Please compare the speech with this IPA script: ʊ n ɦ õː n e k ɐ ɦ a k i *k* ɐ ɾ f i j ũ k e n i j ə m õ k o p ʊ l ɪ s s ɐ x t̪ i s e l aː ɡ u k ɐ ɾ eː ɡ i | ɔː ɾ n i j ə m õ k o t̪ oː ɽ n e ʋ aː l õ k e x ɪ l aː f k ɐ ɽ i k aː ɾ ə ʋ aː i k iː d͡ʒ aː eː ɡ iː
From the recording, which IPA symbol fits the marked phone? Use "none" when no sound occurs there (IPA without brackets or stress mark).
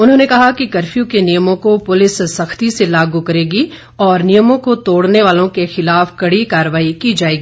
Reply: k